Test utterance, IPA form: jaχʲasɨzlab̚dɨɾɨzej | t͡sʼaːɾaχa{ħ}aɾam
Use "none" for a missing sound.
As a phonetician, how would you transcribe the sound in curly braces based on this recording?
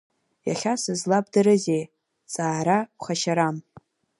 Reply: ʃ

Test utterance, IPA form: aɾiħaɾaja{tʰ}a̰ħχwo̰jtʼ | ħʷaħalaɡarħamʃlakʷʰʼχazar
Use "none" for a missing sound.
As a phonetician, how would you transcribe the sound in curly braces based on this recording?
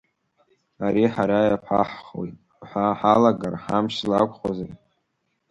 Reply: pʰ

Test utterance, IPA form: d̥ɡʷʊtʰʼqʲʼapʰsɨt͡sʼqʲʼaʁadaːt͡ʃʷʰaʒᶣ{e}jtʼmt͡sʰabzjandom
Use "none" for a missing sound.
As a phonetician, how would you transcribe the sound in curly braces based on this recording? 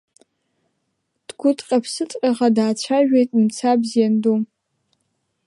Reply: e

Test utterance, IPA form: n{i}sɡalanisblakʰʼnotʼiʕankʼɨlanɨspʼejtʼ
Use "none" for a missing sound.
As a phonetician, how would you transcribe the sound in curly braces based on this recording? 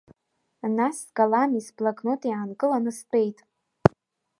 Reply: a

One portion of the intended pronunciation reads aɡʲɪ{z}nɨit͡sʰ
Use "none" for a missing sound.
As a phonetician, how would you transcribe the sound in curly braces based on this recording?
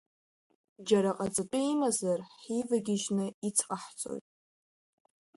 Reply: ʒ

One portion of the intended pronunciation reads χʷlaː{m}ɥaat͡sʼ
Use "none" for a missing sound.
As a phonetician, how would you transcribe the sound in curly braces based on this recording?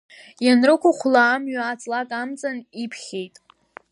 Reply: m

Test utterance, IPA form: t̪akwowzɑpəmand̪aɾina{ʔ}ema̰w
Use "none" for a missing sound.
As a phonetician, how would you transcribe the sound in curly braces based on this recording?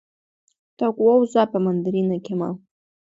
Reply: k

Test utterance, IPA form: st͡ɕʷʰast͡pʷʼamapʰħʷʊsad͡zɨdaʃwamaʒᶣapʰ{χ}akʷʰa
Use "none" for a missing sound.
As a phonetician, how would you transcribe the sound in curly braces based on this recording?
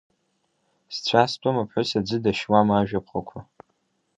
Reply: χ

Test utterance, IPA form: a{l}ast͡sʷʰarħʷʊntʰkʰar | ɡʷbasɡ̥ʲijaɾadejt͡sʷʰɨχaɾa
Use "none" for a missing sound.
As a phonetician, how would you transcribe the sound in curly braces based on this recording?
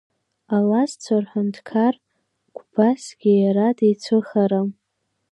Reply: l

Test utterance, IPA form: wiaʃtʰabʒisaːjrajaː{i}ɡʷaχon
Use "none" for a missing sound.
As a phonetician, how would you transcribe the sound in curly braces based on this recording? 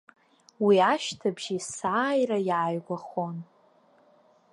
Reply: j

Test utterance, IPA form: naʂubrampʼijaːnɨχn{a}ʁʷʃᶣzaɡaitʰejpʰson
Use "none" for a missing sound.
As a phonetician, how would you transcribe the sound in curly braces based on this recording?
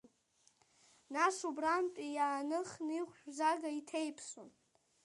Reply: i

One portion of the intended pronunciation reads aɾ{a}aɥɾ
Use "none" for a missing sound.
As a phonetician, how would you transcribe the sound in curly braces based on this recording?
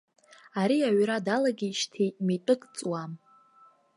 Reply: i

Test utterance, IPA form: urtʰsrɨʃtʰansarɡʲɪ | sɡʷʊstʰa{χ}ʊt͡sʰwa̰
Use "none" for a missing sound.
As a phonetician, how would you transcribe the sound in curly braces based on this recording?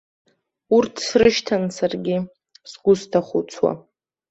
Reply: χ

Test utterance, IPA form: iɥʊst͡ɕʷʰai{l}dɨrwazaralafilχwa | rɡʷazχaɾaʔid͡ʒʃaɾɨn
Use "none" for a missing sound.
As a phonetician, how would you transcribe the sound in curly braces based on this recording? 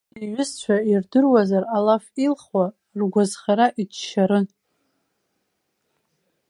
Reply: r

